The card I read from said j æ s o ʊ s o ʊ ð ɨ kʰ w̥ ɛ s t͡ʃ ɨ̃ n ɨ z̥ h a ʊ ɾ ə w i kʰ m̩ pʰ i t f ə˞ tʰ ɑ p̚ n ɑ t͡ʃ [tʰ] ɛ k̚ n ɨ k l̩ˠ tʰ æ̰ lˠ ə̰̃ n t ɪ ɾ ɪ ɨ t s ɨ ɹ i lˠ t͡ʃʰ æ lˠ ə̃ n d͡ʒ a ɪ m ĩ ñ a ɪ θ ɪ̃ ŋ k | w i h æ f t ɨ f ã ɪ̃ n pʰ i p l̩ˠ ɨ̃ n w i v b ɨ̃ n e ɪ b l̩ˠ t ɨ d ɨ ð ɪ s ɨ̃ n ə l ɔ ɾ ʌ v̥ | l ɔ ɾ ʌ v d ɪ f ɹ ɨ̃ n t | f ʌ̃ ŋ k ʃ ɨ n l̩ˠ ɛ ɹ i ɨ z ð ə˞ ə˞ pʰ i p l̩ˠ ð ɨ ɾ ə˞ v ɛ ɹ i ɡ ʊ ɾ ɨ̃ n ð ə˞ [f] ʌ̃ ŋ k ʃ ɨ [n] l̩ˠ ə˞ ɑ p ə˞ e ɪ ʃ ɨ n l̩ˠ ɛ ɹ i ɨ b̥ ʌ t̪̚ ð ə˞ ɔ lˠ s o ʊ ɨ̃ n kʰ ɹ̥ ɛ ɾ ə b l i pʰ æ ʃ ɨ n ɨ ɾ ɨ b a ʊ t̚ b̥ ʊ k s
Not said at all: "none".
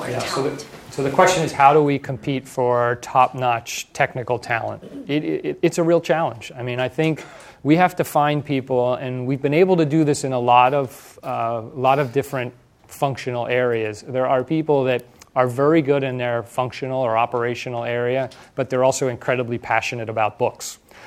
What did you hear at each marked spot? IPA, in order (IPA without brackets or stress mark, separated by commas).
tʰ, f, n